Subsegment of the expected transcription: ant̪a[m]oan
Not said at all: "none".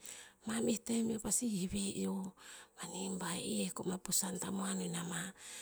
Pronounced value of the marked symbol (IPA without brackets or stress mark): m